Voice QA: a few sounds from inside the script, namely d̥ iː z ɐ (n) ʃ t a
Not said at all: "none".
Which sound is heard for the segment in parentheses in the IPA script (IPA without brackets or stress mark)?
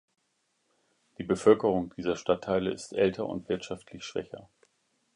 none